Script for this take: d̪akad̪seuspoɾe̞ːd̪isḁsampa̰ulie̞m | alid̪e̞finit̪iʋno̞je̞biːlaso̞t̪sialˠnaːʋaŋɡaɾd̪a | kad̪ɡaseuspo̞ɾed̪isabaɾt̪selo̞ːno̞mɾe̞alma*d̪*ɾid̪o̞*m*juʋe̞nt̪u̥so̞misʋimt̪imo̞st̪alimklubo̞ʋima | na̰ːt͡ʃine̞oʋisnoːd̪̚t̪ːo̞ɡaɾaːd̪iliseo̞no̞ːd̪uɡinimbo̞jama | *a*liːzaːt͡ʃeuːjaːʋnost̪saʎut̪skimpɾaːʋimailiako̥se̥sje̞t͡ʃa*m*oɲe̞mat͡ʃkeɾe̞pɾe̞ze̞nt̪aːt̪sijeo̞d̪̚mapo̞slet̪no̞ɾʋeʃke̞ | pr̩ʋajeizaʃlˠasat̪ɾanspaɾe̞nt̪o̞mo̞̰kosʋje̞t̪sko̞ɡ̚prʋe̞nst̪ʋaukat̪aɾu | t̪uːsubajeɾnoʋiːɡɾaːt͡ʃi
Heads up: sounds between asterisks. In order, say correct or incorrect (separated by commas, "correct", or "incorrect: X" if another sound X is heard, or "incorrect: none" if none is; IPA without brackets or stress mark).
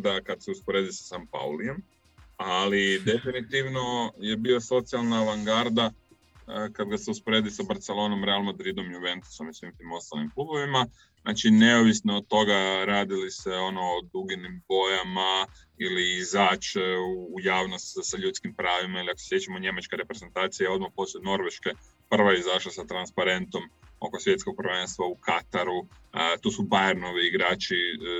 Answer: correct, correct, incorrect: i, correct